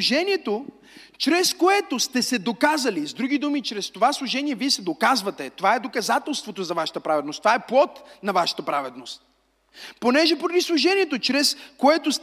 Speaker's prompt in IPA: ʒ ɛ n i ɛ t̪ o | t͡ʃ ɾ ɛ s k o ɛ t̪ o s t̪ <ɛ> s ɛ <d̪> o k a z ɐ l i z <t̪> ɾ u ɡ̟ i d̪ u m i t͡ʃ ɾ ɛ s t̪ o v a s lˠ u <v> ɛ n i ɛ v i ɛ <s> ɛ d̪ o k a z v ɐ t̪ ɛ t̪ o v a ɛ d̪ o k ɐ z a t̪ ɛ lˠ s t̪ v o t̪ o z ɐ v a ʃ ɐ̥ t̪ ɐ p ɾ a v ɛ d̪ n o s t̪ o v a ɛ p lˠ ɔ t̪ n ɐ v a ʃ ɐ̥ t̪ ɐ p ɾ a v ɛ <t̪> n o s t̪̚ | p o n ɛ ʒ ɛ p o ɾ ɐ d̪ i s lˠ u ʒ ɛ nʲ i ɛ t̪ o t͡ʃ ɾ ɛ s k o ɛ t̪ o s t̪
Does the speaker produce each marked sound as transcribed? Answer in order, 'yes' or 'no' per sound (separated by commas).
yes, yes, no, no, yes, no